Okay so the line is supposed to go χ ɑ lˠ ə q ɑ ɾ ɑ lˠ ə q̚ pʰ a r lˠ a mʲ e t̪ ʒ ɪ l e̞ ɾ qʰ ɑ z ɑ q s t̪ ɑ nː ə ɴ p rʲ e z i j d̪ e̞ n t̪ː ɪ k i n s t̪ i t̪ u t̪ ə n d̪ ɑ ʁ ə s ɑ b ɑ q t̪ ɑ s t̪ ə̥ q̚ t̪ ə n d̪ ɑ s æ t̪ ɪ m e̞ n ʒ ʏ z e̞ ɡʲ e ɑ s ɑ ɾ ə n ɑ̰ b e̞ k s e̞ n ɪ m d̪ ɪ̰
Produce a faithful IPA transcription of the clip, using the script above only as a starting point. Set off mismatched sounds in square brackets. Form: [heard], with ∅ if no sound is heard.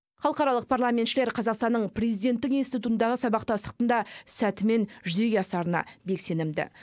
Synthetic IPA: χ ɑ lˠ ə q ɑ ɾ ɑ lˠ ə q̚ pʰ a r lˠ a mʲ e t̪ [ʃ] ɪ l e̞ ɾ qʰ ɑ z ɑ q s t̪ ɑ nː ə ɴ p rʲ e z i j d̪ e̞ n t̪ː ɪ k i n s t̪ i t̪ u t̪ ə n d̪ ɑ ʁ ə s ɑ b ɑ q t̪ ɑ s t̪ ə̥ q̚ t̪ ə n d̪ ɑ s æ t̪ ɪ m e̞ n ʒ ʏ z e̞ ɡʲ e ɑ s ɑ ɾ ə n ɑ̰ b e̞ k s e̞ n ɪ m d̪ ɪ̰